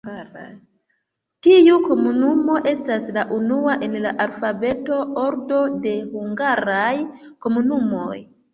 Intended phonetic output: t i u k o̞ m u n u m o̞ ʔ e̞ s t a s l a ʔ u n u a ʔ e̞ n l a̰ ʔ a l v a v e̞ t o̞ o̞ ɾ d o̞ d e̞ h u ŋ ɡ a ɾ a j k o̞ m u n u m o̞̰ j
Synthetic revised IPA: t i u k o̞ m u n u m o̞ ʔ e̞ s t a s l a ʔ u n u a ʔ e̞ n l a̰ ʔ a l f a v e̞ t o̞ o̞ ɾ d o̞ d e̞ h u ŋ ɡ a ɾ a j k o̞ m u n u m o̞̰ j